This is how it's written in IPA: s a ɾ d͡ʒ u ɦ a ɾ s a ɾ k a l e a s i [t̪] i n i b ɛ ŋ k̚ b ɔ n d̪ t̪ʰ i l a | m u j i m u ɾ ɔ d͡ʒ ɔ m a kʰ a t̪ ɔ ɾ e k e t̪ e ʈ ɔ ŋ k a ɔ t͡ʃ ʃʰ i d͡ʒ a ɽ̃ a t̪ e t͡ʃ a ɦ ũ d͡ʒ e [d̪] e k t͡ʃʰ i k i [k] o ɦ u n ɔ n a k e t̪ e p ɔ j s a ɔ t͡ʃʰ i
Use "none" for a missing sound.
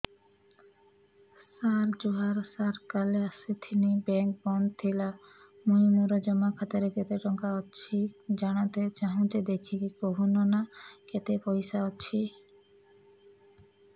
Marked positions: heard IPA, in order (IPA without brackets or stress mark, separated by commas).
t̪ʰ, d̪, k